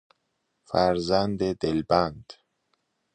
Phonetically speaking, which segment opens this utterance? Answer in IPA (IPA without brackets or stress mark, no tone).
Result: f